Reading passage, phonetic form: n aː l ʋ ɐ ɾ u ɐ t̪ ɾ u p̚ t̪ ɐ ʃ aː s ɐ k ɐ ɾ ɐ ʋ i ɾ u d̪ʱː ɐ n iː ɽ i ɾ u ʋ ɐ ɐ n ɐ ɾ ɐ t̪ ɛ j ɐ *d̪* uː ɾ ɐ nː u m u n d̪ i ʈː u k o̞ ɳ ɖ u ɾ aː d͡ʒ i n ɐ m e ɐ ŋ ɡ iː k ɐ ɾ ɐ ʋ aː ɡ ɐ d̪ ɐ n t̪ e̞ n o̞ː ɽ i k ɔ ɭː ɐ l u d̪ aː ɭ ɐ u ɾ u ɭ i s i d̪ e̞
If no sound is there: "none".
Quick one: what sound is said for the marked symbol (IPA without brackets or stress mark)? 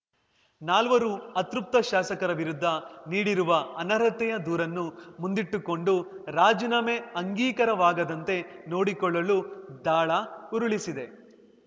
d̪